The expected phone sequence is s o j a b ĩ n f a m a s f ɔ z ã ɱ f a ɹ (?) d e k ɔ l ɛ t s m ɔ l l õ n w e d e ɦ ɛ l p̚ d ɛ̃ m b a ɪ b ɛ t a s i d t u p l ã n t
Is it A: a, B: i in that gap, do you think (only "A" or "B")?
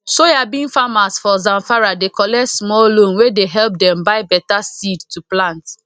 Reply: A